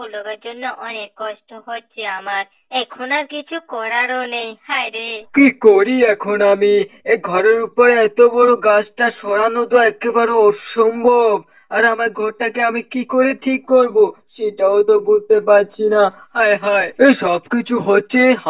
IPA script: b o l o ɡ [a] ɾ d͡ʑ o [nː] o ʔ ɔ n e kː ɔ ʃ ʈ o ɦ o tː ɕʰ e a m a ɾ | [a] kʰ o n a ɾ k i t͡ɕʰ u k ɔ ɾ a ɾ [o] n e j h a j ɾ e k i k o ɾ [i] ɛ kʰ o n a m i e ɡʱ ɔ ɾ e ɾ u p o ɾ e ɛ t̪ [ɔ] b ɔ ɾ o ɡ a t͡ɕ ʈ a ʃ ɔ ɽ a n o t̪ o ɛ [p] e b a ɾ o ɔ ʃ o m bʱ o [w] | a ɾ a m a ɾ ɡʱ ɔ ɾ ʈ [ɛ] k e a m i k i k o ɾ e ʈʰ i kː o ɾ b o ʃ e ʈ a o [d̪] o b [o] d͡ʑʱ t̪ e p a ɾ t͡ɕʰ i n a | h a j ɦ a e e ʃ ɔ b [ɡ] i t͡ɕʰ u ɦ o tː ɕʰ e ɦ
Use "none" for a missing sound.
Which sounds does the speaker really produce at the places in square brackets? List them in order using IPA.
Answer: a, nː, ɛ, o, i, o, k, b, a, t̪, u, k

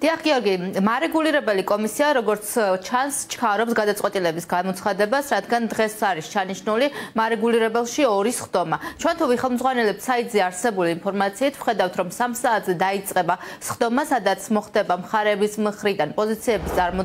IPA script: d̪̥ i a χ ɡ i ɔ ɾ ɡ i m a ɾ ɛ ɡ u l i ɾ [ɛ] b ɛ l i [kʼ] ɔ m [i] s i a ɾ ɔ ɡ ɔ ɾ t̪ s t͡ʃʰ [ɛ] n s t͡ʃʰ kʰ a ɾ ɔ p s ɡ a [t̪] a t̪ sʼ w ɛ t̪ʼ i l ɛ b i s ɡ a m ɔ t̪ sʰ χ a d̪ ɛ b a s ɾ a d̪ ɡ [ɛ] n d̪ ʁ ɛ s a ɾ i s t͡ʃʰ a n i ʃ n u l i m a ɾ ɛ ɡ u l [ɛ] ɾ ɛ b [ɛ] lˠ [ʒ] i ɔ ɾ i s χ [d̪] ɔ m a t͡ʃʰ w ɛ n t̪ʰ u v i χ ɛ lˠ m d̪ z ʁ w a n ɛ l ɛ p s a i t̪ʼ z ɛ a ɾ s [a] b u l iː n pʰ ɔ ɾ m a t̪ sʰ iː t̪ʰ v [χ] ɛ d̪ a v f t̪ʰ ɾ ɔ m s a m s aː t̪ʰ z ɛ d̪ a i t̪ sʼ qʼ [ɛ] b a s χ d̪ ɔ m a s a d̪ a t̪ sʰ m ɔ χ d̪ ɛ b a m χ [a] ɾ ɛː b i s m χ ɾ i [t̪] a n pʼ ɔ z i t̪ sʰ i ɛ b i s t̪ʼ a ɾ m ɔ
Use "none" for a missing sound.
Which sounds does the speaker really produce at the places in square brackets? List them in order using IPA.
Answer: ɛ, kʼ, i, a, d̪, a, i, ɛ, ʃ, d̪, ɛ, χ, ɛ, a, d̪

